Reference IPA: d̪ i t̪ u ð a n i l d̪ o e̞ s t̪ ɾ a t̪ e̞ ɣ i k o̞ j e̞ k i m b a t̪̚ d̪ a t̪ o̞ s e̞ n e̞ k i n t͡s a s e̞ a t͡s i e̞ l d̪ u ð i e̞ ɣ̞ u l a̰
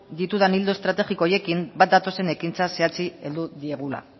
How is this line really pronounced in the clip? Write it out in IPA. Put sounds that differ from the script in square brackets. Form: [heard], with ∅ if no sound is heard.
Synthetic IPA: d̪ i t̪ u ð a n i l d̪ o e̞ s t̪ ɾ a t̪ e̞ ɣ i k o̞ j e̞ k i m b a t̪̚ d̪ a t̪ o̞ s e̞ n e̞ k i n t͡s a s e̞ a t͡s i e̞ l d̪ u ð i e̞ ɣ̞ u l a̰